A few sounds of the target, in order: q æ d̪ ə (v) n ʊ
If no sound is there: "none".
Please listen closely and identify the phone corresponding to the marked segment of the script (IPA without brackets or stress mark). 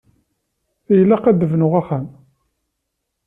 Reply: v